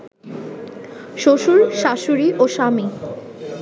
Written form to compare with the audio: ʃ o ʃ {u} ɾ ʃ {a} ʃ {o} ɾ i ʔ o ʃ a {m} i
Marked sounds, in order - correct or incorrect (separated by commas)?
correct, correct, incorrect, correct